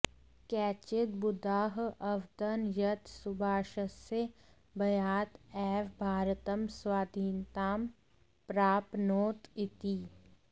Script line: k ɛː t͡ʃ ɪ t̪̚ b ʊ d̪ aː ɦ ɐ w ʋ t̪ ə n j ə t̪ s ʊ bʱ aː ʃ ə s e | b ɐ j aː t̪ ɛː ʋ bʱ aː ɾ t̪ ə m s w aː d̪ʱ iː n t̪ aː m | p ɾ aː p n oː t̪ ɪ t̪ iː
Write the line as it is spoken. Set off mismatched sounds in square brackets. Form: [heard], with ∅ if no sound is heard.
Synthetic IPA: k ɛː t͡ʃ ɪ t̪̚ b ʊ d̪ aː ɦ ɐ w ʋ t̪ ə n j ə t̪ s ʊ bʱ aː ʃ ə s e | b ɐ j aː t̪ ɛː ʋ bʱ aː ɾ t̪ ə m s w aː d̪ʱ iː n t̪ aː m | p ɾ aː p n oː t̪ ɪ t̪ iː